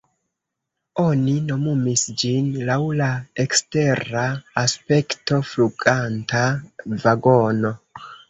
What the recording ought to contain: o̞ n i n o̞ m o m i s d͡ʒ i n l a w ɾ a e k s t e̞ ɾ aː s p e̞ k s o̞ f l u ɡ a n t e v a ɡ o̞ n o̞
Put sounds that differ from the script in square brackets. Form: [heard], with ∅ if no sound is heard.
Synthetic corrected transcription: o̞ n i n o̞ m [u] m i s d͡ʒ i n l a w [l] a e k s t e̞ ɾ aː s p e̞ k [t] o̞ f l u ɡ a n t [a] v a ɡ o̞ n o̞